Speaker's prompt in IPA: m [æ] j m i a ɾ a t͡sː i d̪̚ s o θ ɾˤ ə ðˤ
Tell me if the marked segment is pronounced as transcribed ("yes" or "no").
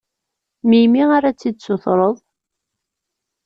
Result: no